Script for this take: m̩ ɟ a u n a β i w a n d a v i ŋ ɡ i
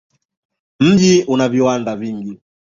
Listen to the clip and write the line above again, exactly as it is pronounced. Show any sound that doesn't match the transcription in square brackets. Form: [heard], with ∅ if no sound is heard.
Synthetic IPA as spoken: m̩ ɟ [i] u n a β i w a n d a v i ŋ ɡ i